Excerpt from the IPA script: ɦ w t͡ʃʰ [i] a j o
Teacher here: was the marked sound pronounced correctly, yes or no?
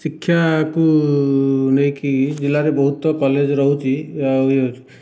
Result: yes